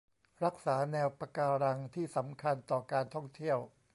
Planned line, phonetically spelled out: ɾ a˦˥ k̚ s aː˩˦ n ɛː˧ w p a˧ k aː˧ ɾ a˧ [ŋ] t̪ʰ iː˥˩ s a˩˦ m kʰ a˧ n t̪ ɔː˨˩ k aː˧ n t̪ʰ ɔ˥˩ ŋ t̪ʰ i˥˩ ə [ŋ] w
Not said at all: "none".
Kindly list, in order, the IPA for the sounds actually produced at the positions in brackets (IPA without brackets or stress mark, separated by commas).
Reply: ŋ, none